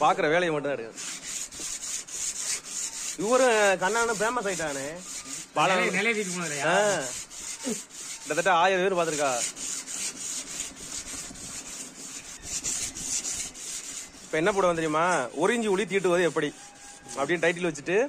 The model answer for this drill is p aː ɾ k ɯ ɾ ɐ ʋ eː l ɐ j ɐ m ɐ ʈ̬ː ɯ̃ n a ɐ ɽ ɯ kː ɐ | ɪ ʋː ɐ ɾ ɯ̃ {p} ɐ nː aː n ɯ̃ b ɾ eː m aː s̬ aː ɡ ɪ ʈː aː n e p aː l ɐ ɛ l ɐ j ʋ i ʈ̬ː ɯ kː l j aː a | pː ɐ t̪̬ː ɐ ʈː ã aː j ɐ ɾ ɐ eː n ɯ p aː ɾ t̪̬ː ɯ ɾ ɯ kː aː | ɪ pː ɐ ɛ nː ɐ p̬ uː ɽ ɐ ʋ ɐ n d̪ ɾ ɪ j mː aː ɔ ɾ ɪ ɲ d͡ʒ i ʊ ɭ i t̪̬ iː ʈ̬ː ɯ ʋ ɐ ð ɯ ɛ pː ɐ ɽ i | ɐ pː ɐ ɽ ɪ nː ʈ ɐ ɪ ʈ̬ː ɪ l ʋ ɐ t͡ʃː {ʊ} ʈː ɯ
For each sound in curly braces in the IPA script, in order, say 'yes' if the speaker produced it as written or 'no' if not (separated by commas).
no, no